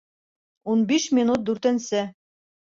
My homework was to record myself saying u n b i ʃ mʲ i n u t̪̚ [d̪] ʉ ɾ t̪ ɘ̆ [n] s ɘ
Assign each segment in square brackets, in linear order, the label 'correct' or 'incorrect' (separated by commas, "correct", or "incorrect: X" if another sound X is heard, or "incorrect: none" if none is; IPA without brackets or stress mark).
correct, correct